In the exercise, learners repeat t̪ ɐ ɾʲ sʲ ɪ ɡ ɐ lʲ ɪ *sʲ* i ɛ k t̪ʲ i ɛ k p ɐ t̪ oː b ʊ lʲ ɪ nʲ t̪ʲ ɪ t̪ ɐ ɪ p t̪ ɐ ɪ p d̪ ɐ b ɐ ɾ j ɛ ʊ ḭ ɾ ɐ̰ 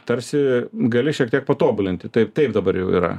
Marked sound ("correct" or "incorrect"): incorrect